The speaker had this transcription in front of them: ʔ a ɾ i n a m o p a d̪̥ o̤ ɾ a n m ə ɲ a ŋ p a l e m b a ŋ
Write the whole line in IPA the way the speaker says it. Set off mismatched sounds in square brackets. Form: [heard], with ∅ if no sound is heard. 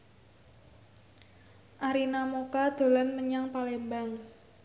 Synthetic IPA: ʔ a ɾ i n a m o [k] a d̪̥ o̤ [l] a n m ə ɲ a ŋ p a l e m b a ŋ